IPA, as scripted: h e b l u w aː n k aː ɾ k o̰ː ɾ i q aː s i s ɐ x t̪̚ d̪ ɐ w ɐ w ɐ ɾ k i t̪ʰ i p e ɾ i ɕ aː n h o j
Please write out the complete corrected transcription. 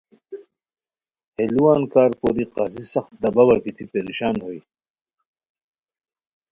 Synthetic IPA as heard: h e l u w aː n k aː ɾ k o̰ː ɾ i q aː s i s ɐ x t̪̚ d̪ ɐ b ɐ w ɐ ɾ k i t̪ʰ i p e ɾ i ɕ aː n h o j